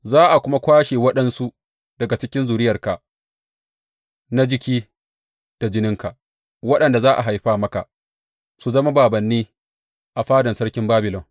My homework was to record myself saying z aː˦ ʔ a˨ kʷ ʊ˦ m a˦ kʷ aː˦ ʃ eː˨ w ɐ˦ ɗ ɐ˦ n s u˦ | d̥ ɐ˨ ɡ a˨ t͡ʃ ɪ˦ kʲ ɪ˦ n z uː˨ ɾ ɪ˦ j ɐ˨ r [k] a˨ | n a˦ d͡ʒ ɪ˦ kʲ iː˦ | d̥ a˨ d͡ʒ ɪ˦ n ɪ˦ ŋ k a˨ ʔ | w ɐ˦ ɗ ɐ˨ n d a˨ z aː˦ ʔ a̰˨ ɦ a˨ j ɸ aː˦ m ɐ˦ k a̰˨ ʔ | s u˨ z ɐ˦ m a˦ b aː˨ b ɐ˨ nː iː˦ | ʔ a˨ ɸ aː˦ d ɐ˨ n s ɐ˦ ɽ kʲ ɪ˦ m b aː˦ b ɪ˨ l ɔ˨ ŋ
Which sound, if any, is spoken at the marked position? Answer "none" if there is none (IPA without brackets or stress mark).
k